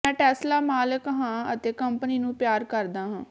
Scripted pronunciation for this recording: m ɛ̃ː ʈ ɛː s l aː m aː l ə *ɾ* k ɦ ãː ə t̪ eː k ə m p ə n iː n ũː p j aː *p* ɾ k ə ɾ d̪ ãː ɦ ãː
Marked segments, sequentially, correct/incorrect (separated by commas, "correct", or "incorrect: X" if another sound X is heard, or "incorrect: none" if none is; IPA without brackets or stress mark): incorrect: none, incorrect: none